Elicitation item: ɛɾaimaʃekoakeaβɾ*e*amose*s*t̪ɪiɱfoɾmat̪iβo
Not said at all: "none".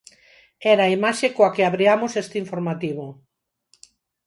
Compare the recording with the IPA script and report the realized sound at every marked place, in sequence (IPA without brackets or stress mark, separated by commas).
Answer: i, s